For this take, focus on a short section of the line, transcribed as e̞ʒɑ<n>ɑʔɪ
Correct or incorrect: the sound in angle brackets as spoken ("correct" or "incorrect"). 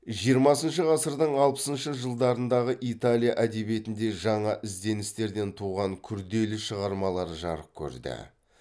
incorrect